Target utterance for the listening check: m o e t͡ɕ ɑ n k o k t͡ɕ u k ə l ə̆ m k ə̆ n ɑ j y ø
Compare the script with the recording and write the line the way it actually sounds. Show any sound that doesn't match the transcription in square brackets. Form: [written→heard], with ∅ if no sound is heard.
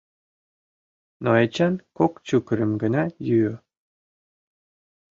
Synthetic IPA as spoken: [m→n] o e t͡ɕ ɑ n k o k t͡ɕ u k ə [l→ɾ] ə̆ m [k→ɡ] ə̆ n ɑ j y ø